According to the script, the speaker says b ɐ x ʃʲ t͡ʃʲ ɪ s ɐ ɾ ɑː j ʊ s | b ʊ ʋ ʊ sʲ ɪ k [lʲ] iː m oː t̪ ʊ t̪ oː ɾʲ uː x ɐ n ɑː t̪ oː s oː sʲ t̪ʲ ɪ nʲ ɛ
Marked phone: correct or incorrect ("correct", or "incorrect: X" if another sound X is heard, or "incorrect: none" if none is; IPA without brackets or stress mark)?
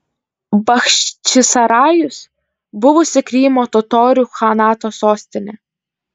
incorrect: ɾʲ